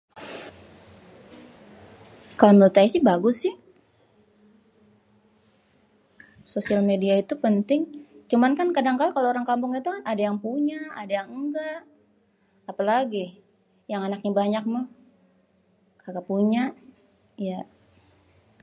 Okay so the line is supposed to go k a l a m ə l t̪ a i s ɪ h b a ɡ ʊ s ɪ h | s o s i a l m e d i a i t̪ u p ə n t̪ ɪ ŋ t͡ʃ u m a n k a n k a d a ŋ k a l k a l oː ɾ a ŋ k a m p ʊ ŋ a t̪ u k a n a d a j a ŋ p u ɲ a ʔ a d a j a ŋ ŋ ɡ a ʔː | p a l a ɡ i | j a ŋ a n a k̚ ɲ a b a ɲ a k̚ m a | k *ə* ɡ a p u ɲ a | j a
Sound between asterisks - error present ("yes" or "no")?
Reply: yes